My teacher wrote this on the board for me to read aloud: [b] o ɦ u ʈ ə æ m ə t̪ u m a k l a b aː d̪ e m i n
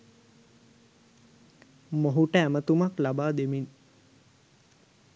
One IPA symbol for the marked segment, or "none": m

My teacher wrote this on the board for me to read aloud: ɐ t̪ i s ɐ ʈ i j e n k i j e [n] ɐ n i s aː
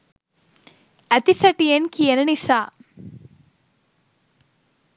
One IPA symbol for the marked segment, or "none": n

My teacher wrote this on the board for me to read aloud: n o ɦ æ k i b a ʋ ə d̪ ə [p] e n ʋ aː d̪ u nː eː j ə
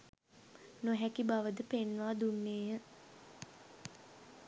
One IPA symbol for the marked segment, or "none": p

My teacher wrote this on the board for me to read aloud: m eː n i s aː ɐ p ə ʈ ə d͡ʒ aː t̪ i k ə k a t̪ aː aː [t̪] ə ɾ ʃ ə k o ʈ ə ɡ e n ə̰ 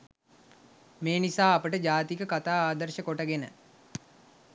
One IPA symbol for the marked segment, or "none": d̪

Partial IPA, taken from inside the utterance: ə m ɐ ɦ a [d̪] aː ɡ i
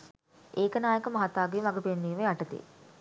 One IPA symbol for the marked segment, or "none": t̪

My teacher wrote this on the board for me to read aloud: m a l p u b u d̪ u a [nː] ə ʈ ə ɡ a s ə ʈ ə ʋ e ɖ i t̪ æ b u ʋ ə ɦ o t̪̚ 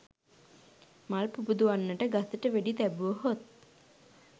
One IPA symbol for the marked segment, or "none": nː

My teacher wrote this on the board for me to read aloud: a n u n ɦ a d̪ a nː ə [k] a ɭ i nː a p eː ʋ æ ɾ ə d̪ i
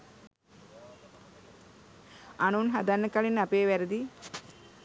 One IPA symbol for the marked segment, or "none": k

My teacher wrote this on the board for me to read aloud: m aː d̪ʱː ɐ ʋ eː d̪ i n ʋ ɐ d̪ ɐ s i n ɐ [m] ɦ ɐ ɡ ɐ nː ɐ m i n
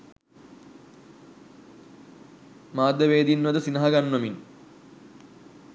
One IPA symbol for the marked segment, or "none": none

